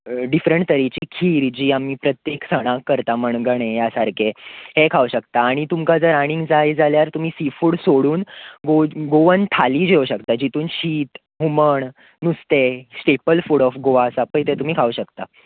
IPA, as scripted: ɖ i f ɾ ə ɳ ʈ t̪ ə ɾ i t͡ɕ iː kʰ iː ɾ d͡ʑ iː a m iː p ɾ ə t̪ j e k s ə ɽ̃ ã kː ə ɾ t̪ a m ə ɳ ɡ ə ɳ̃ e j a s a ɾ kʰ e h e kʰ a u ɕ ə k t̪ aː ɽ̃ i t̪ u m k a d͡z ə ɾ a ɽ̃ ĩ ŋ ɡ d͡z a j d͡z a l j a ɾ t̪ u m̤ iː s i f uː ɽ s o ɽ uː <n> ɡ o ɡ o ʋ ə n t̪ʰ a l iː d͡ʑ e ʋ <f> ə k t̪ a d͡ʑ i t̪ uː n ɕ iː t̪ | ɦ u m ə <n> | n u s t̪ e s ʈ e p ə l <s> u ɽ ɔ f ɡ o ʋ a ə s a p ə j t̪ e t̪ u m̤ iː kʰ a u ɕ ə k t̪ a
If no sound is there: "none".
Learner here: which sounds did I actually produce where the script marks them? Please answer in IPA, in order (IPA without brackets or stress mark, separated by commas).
n, ɕ, ɳ, f